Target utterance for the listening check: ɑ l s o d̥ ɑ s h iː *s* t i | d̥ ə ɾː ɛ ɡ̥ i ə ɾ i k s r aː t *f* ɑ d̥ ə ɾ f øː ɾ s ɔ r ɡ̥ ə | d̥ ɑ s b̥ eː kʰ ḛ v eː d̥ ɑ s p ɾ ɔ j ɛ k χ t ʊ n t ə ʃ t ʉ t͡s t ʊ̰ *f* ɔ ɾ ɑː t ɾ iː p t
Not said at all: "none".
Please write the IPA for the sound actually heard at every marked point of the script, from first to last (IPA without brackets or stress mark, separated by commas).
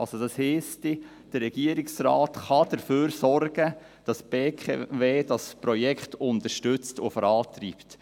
s, χ, f